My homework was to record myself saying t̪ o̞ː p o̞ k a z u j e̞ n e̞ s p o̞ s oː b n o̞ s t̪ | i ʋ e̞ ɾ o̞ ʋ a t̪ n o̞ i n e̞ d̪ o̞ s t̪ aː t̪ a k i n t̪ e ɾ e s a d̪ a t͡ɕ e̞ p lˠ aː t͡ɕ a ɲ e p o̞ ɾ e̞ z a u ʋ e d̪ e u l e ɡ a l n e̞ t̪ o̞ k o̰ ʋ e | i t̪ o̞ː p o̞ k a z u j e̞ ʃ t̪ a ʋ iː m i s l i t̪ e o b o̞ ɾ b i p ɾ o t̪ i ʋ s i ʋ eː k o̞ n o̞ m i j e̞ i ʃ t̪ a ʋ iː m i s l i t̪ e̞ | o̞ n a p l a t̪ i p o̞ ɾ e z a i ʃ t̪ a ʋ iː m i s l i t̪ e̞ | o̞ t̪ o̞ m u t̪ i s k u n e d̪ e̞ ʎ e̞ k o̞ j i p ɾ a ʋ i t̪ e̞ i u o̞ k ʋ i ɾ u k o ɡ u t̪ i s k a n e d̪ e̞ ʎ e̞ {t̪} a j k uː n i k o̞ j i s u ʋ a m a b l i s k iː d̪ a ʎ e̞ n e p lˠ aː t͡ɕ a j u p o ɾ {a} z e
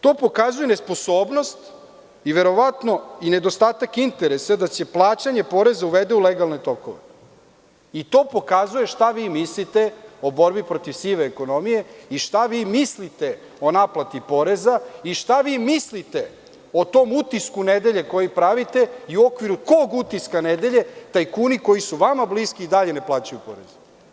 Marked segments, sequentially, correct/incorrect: correct, incorrect

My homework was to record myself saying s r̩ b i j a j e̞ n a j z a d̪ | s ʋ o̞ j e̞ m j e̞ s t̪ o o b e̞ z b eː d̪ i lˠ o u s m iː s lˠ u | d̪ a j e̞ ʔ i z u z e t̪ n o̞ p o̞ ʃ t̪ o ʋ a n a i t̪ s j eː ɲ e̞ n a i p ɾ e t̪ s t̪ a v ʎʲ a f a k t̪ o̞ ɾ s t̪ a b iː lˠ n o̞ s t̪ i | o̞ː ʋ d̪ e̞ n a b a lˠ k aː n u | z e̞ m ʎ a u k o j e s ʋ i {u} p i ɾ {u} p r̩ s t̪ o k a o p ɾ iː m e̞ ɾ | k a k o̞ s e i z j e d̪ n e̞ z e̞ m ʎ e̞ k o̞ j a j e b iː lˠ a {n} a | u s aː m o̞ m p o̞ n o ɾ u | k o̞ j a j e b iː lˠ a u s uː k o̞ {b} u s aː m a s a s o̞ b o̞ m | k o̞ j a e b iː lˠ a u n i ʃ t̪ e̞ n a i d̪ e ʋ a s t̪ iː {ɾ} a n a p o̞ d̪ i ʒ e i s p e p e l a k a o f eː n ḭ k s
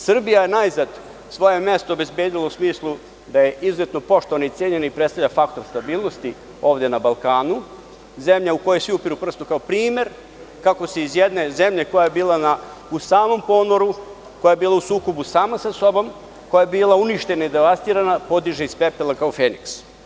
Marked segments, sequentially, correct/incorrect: correct, correct, correct, correct, correct

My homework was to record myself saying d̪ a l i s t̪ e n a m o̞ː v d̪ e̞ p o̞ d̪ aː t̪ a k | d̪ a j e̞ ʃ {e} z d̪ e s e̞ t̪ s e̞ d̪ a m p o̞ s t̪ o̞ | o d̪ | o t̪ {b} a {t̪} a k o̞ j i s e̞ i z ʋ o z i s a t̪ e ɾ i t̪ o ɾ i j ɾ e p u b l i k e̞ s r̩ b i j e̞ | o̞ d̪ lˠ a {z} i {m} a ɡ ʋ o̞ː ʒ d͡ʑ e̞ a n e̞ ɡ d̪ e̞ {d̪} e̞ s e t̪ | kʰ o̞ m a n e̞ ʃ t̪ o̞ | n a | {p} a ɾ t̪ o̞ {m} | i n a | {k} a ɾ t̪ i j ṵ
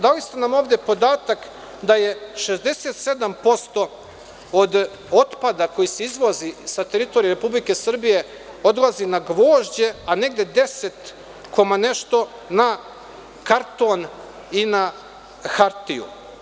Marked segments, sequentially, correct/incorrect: correct, incorrect, incorrect, correct, incorrect, correct, incorrect, incorrect, incorrect

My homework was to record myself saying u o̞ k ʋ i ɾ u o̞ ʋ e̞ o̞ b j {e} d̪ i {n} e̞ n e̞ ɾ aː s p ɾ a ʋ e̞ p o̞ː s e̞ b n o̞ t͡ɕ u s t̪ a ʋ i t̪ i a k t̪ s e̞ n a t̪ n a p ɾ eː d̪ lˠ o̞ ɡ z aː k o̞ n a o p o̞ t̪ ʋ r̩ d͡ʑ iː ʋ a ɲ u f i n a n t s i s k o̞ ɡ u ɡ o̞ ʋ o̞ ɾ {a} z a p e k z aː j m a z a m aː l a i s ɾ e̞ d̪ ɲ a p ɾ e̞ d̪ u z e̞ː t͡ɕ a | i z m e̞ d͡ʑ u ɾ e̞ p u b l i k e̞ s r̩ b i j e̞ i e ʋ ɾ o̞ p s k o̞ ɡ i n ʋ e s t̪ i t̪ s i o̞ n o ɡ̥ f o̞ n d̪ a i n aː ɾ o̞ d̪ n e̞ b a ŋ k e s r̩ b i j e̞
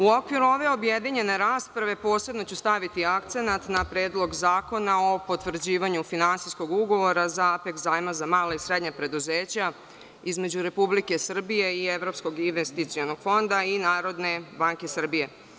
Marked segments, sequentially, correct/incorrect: correct, incorrect, correct

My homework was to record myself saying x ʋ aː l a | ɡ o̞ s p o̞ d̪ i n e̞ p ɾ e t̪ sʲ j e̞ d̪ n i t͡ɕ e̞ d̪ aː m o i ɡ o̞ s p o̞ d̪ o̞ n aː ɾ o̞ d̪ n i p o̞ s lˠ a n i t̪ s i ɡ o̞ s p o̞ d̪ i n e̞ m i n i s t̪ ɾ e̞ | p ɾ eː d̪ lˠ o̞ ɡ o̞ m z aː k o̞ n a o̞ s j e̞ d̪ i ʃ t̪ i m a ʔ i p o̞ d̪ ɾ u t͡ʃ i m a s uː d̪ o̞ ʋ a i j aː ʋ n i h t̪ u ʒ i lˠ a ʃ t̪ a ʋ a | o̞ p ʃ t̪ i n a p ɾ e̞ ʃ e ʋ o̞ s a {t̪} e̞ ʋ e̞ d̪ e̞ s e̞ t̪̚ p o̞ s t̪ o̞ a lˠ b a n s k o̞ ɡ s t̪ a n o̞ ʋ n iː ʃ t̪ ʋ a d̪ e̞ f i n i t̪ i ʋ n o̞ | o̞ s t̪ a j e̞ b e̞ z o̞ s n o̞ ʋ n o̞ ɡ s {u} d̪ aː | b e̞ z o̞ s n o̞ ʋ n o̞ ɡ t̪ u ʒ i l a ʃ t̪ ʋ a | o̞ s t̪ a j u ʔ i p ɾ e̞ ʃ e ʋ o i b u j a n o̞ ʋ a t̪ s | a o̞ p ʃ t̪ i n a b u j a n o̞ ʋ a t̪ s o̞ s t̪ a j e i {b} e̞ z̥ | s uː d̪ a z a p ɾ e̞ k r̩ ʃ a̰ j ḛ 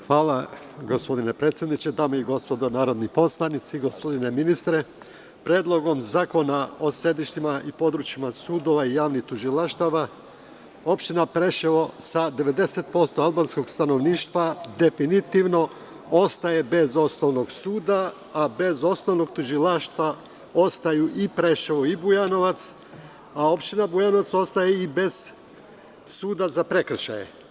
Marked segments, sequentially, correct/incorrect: incorrect, incorrect, correct

